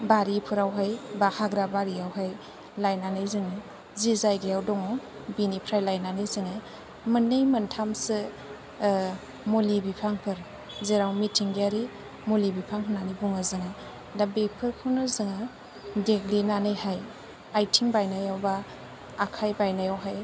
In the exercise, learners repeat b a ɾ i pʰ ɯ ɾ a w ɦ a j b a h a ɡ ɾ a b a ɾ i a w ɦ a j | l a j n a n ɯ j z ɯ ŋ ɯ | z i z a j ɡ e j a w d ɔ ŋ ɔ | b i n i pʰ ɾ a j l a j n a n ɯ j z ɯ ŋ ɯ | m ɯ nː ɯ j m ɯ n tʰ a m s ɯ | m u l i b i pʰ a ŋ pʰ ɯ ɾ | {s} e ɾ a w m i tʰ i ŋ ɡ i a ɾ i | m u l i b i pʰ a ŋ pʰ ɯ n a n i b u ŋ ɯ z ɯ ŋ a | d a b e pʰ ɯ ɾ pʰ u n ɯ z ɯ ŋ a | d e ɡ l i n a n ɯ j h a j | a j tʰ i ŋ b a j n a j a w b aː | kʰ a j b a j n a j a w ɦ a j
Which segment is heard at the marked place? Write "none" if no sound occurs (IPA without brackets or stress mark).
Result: z